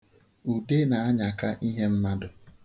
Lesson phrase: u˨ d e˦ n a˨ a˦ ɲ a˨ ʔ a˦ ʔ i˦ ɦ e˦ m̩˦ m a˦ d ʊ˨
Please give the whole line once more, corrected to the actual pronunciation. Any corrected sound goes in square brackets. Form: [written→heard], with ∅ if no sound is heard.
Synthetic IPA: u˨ d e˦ n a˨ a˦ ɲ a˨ [ʔ→k] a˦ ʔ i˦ ɦ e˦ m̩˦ m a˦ d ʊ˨